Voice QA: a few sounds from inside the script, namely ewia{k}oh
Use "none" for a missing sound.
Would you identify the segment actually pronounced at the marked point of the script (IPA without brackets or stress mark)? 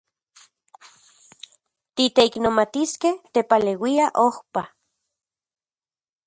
ʔ